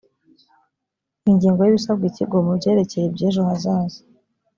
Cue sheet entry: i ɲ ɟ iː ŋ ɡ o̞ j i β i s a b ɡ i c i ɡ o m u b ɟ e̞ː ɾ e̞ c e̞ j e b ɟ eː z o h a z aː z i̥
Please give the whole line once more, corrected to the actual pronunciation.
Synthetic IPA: i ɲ ɟ iː ŋ ɡ o̞ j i β i s a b ɡ i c i ɡ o m u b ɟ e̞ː ɾ e̞ c e̞ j e b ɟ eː ʒ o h a z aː z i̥